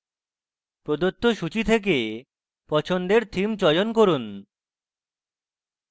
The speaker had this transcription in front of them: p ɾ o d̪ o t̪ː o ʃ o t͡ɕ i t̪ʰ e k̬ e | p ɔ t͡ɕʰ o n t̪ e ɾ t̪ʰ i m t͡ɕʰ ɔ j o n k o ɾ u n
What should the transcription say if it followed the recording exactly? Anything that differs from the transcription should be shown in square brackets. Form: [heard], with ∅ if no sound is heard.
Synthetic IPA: p ɾ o d̪ o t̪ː o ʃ [u] t͡ɕ i t̪ʰ e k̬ e | p ɔ t͡ɕʰ o n [d̪] e ɾ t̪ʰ i m [t͡ɕ] ɔ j o n k o ɾ u n